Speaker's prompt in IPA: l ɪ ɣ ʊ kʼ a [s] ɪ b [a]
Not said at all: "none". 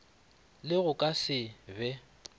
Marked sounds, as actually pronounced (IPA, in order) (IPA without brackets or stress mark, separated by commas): s, ɛ